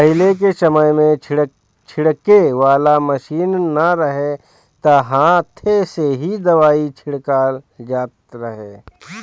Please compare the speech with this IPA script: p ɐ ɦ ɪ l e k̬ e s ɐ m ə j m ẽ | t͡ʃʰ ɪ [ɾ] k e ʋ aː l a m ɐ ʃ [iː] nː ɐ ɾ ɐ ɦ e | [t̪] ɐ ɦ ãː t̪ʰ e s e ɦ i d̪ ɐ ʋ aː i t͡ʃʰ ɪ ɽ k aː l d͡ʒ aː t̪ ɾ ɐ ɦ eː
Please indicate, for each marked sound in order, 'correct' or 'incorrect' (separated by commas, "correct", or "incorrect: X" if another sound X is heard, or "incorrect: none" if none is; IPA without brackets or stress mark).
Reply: incorrect: ɽ, correct, correct